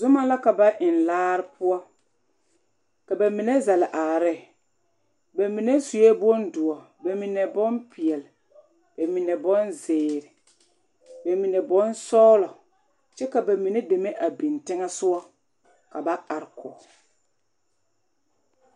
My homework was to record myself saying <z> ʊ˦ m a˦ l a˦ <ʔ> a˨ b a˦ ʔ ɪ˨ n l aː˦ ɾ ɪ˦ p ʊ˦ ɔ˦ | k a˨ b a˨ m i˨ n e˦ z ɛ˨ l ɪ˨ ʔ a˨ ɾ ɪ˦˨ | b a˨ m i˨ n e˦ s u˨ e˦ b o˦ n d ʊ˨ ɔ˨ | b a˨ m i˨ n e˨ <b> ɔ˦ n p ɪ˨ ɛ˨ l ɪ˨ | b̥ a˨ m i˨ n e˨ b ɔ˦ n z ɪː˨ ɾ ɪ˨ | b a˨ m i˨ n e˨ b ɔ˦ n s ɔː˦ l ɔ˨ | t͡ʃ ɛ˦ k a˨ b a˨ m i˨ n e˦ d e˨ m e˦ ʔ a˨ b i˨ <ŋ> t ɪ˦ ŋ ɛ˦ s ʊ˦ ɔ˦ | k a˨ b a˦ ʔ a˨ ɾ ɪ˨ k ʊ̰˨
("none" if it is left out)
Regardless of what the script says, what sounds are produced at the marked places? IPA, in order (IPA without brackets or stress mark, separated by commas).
z, k, b, n